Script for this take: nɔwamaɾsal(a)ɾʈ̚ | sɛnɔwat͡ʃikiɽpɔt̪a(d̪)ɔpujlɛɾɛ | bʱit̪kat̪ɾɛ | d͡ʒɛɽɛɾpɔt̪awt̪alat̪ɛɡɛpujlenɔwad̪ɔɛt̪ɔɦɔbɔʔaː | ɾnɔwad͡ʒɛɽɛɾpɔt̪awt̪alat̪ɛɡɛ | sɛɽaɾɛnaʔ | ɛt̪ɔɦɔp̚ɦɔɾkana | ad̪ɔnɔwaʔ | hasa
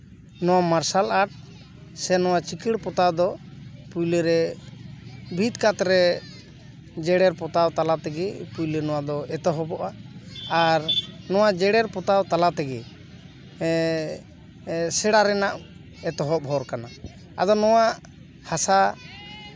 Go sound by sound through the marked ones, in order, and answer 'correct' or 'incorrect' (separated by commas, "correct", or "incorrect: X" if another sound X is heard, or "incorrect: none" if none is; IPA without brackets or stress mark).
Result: correct, correct